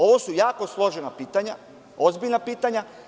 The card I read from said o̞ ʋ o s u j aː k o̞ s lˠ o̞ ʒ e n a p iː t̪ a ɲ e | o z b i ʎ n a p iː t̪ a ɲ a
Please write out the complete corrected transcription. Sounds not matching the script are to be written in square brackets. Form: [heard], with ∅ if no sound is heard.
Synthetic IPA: o̞ ʋ o s u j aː k o̞ s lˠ o̞ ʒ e n a p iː t̪ a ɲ [a] | o z b i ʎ n a p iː t̪ a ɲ a